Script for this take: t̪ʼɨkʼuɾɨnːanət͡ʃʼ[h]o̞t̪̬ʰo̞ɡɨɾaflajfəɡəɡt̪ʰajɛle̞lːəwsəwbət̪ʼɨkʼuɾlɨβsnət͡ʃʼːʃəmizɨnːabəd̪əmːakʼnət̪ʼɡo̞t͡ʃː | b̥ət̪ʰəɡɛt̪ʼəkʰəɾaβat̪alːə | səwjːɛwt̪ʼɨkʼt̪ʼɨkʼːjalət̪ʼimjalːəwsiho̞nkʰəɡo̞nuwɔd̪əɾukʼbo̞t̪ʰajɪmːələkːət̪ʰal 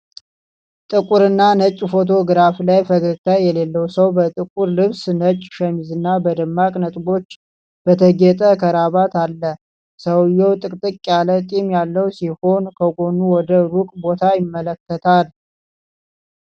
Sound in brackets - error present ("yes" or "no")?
yes